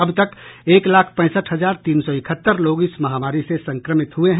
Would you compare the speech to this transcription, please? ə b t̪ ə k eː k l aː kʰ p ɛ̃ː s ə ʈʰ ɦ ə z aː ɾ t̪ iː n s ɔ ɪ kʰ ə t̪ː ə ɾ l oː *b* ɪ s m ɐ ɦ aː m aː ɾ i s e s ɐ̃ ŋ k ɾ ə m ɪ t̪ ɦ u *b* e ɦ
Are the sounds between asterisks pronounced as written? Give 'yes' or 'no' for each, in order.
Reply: no, no

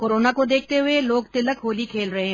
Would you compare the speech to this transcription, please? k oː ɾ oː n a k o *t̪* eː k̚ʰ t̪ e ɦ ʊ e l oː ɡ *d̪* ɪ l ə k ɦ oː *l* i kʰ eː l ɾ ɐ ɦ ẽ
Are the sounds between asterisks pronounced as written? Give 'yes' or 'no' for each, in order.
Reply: no, no, yes

